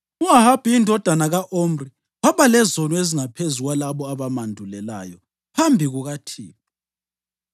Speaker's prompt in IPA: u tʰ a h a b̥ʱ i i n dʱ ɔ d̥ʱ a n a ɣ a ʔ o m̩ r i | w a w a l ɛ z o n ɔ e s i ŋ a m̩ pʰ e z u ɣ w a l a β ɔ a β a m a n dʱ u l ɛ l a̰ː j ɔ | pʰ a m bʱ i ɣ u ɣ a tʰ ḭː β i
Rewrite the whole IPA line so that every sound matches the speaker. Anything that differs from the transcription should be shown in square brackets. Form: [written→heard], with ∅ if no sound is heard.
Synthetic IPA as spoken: u [tʰ→∅] a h a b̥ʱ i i n dʱ ɔ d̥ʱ a n a ɣ a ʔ o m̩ r i | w a [w→β] a l ɛ z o n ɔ e [s→z] i ŋ a [m̩→∅] pʰ e z u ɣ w a l a β ɔ a β a m a n dʱ u l ɛ l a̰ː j ɔ | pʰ a m bʱ i ɣ u ɣ a tʰ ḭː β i